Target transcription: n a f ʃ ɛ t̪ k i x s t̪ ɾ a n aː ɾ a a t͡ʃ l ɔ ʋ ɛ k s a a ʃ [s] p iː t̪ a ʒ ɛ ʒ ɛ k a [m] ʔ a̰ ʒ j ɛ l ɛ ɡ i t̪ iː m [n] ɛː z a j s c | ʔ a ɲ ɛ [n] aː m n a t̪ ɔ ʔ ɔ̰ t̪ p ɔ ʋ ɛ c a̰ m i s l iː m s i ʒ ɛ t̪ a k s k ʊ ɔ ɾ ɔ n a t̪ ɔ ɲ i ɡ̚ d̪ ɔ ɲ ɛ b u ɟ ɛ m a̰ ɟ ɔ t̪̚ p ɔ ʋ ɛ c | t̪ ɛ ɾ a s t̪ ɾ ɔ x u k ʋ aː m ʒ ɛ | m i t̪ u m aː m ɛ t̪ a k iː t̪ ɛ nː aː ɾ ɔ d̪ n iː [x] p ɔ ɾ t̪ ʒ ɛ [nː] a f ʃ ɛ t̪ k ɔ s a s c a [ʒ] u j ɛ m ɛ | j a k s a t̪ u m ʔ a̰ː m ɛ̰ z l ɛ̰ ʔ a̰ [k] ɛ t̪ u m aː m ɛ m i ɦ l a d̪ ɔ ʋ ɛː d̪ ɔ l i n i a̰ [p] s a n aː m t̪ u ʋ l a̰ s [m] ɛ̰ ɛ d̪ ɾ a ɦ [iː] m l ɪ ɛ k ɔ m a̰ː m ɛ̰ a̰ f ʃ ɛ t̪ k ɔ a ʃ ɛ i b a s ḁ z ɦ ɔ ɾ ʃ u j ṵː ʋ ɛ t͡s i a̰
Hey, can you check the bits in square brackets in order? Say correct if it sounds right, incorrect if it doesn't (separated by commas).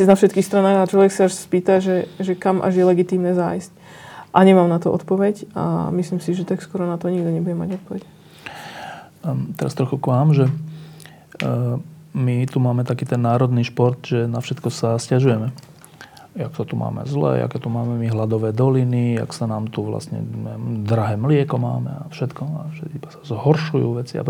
correct, correct, correct, incorrect, incorrect, incorrect, correct, correct, incorrect, incorrect, incorrect